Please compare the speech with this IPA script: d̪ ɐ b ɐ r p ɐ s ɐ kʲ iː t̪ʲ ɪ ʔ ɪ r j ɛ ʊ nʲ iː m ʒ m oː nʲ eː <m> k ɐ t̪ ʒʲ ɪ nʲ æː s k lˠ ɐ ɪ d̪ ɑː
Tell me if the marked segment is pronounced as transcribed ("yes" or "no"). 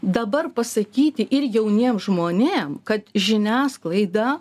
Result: yes